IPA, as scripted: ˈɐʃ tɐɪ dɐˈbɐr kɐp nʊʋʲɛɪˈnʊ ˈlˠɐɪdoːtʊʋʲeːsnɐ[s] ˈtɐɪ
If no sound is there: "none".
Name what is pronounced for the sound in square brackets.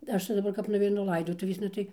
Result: none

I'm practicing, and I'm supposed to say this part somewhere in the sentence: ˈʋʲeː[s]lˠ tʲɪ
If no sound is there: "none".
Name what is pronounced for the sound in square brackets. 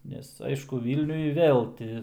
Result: none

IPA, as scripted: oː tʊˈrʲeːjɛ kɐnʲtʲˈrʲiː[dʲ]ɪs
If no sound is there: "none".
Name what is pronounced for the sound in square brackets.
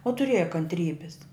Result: bʲ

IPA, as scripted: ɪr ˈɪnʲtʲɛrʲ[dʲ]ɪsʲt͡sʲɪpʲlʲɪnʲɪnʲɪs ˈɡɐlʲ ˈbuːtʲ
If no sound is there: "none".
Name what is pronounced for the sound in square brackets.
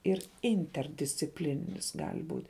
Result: dʲ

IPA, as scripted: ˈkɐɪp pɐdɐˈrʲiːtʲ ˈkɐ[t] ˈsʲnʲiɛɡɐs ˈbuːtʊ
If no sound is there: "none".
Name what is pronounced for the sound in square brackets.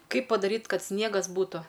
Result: t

